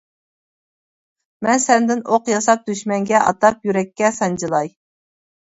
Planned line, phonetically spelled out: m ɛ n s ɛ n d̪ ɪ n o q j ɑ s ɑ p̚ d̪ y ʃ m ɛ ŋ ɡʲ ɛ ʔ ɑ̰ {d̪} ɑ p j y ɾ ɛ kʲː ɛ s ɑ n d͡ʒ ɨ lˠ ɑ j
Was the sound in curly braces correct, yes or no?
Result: no